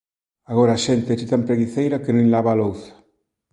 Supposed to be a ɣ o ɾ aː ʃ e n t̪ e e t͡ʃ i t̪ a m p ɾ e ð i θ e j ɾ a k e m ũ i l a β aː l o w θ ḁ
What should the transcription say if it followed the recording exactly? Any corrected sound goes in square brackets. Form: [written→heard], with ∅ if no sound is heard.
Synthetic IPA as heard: a ɣ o ɾ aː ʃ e n t̪ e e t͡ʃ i t̪ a m p ɾ e [ð→ɣ] i θ e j ɾ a k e [m→n] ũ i l a β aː l o w θ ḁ